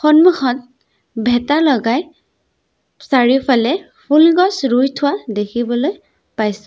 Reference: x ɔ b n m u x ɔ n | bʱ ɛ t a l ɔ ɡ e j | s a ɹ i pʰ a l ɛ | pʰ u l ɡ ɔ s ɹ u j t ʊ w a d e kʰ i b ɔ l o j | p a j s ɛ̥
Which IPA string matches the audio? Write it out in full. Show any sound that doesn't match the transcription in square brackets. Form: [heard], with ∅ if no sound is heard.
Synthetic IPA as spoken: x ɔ [∅] n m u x ɔ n | bʱ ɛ t a l ɔ ɡ [a] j | s a ɹ i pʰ a l ɛ | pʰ u l ɡ ɔ s ɹ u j [tʰ] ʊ w a d e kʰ i b ɔ l o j | p a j s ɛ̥